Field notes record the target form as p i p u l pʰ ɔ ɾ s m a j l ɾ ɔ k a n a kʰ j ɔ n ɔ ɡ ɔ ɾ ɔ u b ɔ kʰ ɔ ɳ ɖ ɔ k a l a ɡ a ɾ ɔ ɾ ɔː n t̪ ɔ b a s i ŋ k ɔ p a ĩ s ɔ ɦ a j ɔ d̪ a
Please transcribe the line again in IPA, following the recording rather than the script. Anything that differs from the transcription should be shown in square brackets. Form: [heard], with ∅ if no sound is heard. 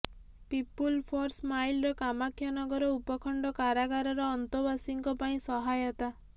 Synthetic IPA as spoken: p i p u l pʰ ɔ ɾ s m a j l ɾ ɔ k a [m] a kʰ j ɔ n ɔ ɡ ɔ ɾ ɔ u [p] ɔ kʰ ɔ ɳ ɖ ɔ k a [ɾ] a ɡ a ɾ ɔ ɾ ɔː n t̪ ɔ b a s i ŋ k ɔ p a ĩ s ɔ ɦ a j ɔ [t̪] a